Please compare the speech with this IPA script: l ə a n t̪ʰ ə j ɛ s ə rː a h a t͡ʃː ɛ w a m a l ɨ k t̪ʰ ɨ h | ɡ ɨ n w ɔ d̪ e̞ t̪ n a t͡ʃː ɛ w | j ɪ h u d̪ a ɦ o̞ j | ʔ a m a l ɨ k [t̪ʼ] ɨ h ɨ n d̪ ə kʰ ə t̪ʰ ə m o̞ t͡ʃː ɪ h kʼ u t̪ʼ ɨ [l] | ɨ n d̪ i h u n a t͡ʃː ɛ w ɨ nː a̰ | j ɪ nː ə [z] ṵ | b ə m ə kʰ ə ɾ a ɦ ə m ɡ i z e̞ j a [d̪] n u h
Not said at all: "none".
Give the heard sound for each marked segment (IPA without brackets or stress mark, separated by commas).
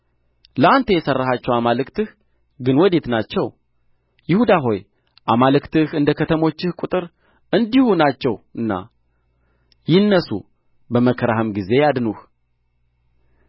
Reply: t̪, ɾ, s, d̪